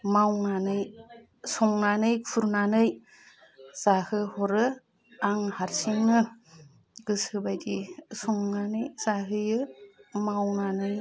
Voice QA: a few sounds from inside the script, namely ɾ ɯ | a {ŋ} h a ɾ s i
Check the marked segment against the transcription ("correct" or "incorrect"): correct